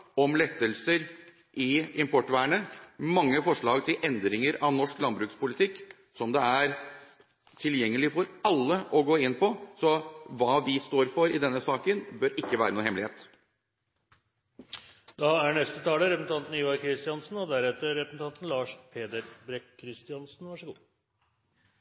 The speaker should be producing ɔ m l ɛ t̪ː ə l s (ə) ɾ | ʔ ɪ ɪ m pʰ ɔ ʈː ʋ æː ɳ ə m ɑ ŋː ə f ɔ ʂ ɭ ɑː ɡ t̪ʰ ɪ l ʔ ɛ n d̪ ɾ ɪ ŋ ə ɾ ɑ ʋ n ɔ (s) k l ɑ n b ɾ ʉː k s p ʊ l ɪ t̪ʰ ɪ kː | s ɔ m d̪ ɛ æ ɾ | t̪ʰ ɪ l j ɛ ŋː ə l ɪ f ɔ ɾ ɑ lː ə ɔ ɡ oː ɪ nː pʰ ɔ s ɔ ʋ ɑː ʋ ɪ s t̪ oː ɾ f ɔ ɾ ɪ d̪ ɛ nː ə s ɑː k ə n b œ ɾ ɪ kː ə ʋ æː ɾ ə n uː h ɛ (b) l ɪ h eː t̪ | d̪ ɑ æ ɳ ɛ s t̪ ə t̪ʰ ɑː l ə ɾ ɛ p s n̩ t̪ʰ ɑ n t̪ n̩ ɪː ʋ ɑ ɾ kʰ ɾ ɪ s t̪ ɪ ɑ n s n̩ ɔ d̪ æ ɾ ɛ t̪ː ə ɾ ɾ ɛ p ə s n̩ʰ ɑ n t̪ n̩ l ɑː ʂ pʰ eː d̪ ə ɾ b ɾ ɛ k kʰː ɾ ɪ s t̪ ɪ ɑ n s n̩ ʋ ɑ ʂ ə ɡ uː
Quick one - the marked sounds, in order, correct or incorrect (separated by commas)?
correct, incorrect, incorrect